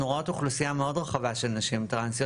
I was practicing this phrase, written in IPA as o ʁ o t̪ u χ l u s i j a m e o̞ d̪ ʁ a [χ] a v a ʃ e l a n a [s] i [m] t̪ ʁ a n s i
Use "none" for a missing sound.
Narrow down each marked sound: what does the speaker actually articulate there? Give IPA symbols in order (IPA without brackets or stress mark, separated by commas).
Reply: χ, ʃ, m